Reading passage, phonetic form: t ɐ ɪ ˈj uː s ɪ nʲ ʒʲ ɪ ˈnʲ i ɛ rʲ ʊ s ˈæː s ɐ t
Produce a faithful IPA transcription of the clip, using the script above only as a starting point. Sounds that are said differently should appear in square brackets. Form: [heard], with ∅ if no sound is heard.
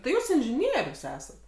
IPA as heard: t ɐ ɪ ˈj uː s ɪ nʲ ʒʲ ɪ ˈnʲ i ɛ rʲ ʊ s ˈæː s ɐ t